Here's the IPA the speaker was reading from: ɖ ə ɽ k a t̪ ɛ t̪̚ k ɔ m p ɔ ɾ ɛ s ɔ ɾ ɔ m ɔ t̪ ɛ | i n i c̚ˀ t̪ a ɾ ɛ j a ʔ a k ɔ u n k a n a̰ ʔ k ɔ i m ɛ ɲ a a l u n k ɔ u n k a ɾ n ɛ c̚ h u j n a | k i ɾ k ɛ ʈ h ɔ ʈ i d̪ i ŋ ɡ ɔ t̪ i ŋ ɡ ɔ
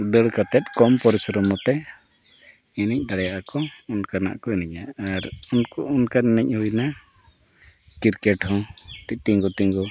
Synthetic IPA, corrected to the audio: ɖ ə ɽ k a t̪ ɛ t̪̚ k ɔ m p ɔ ɾ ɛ s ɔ ɾ ɔ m ɔ t̪ ɛ | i n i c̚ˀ d̪ a ɽ ɛ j a ʔ a k ɔ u n k a n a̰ ʔ k ɔ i n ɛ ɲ a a ɾ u n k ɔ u n k a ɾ n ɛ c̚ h u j n a | k i ɾ k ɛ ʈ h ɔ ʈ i t̪ i ŋ ɡ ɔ t̪ i ŋ ɡ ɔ

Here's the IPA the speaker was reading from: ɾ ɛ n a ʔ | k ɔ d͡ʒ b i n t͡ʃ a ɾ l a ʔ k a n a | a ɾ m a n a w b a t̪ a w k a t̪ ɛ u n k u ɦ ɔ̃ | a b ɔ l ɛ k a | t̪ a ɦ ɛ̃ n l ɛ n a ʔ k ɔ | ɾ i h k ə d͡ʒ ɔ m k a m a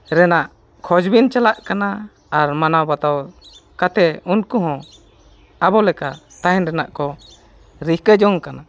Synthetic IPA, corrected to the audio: ɾ ɛ n a ʔ | kʰ ɔ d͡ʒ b i n t͡ʃ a l a ʔ k a n a | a ɾ m a n a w b a t̪ a w k a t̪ ɛ u n k u ɦ ɔ̃ | a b ɔ l ɛ k a | t̪ a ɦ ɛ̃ n ɾ ɛ n a ʔ k ɔ | ɾ i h k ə d͡ʒ ɔ ŋ k a n a

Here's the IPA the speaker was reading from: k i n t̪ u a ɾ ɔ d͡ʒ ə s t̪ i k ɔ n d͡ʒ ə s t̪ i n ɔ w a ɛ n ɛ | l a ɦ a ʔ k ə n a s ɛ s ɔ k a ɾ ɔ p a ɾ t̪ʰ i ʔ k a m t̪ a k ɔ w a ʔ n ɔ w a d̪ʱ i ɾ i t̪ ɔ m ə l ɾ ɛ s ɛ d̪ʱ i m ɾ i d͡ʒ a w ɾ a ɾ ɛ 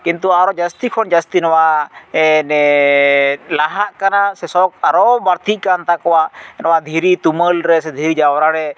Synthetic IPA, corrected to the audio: k i n t̪ u a ɾ ɔ d͡ʒ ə s t̪ i kʰ ɔ n d͡ʒ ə s t̪ i n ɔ w a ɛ n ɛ | l a ɦ a ʔ k a n a s ɛ s ɔ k a ɾ ɔ b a ɾ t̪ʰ i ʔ k a n t̪ a k ɔ w a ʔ n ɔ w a d̪ʱ i ɾ i t̪ u m ə l ɾ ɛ s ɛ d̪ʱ i ɾ i d͡ʒ a w ɾ a ɾ ɛ

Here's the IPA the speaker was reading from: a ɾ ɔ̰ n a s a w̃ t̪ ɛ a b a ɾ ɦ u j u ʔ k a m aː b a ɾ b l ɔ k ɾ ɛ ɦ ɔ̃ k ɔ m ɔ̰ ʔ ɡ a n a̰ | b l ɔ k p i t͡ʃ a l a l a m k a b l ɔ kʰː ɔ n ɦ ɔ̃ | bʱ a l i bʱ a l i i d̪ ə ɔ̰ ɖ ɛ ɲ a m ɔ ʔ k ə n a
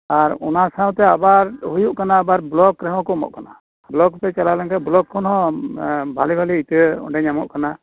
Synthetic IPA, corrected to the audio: a ɾ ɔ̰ n a s a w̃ t̪ ɛ a b a ɾ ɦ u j u ʔ k a n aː b a ɾ b l ɔ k ɾ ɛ ɦ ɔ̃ k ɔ m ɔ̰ ʔ k a n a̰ | b l ɔ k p ɛ t͡ʃ a l a l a ŋ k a b l ɔ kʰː ɔ n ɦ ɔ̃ | bʱ a l i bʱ a l i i t̪ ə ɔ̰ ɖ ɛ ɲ a m ɔ ʔ k a n a

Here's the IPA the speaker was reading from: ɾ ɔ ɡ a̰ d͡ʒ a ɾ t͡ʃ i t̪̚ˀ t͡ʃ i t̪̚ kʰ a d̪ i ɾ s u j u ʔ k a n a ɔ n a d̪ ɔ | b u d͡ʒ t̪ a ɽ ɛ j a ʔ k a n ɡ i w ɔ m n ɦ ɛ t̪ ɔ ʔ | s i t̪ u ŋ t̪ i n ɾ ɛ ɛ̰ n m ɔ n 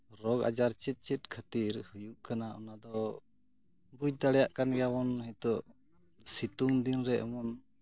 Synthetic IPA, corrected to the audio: ɾ ɔ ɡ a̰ d͡ʒ a ɾ t͡ʃ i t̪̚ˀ t͡ʃ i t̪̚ kʰ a t̪ i ɾ h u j u ʔ k a n a ɔ n a d̪ ɔ | b u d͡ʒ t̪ a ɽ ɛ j a ʔ k a n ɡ a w ɔ n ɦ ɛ t̪ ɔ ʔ | s i t̪ u ŋ d̪ i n ɾ ɛ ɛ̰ m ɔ n

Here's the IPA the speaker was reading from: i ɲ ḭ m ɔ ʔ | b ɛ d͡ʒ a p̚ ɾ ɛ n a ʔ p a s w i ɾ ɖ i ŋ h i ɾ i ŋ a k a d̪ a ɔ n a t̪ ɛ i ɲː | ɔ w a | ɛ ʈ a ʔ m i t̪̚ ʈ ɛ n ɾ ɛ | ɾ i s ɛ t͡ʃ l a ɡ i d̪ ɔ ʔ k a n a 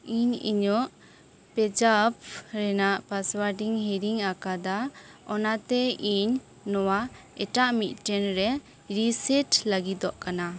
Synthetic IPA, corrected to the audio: i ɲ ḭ ɲ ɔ ʔ | p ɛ d͡ʒ a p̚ ɾ ɛ n a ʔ p a s w a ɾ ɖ i ŋ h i ɾ i ŋ a k a d̪ a ɔ n a t̪ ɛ i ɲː | ɔ w a | ɛ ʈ a ʔ m i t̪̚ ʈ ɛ n ɾ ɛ | ɾ i s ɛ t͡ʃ l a ɡ i d̪ ɔ ʔ k a n a

